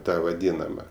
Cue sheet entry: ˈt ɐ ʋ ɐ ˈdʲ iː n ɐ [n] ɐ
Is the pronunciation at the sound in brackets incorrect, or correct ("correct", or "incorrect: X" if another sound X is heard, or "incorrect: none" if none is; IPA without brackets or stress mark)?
incorrect: m